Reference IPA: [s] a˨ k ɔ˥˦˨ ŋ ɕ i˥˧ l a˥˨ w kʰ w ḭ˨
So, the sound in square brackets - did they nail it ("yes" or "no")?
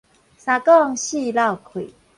yes